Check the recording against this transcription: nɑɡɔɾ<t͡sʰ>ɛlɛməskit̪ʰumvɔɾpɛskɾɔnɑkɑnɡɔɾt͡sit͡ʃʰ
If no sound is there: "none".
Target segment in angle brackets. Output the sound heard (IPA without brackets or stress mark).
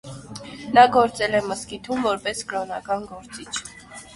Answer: t͡s